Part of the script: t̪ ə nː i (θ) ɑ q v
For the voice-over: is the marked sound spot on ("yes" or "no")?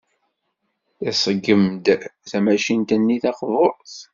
yes